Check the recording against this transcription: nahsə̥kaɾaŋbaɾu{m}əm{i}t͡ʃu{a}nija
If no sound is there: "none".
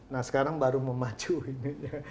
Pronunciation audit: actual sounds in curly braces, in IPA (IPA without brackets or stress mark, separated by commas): m, a, i